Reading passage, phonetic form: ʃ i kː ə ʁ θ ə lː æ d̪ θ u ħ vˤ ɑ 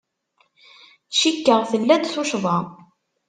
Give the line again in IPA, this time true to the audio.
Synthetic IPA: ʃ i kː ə ʁ θ ə lː æ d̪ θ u ʃ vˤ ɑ